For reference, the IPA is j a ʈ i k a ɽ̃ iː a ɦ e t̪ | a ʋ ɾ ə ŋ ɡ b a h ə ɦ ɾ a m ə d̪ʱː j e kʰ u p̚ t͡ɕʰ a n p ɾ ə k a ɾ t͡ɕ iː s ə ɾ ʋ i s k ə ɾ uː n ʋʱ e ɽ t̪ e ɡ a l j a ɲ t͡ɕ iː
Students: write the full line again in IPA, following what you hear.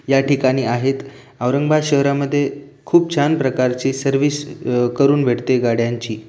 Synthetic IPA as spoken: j a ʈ i k a ɽ̃ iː a ɦ e t̪ | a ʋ ɾ ə ŋ ɡ b a ɕ ə ɦ ɾ a m ə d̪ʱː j e kʰ uː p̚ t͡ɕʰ a n p ɾ ə k a ɾ t͡ɕ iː s ə ɾ ʋ i s k ə ɾ uː n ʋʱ e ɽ t̪ e ɡ a ɽ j a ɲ t͡ɕ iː